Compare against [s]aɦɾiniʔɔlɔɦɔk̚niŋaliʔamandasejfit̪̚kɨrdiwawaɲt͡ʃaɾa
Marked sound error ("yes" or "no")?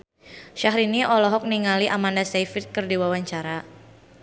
yes